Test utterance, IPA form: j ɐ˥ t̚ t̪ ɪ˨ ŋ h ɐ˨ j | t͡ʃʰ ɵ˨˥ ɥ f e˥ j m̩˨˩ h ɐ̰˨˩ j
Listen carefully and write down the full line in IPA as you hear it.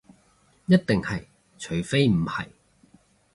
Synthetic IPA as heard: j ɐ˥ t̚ t̪ ɪ˨ ŋ h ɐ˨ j | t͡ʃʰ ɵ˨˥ ɥ f e˥ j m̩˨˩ h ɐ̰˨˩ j